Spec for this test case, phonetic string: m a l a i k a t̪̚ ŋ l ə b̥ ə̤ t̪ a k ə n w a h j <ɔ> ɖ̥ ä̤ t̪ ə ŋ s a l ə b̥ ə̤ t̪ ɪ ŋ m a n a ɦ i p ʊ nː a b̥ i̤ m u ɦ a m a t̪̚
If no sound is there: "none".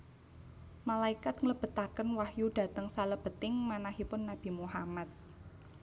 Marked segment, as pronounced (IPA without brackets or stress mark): u